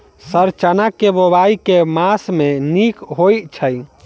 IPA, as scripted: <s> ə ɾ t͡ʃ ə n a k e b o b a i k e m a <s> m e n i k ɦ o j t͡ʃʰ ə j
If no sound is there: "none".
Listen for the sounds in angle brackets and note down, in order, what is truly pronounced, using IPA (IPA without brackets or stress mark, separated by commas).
s, s